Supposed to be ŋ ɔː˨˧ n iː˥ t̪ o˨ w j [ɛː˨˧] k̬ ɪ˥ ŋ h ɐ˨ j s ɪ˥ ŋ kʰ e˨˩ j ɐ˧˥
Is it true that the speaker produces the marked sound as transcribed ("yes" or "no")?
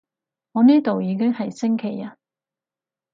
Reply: no